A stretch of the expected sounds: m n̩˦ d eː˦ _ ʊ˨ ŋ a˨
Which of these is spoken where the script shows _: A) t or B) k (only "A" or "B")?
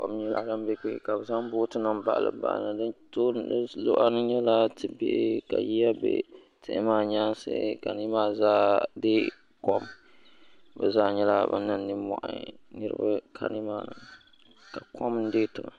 A